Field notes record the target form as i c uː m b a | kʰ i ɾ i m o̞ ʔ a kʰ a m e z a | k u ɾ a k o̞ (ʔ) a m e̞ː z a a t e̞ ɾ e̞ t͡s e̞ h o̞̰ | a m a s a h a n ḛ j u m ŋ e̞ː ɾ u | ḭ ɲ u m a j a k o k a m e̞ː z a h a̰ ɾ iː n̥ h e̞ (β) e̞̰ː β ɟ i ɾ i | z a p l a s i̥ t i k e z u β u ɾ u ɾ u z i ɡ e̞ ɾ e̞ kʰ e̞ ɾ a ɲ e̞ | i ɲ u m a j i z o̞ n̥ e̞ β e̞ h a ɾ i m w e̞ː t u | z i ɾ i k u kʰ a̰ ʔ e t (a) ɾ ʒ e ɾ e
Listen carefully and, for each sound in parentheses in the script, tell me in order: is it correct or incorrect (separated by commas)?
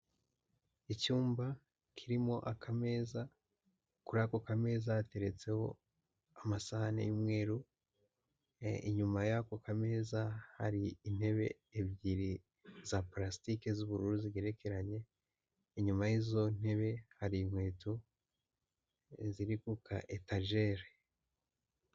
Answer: incorrect, correct, correct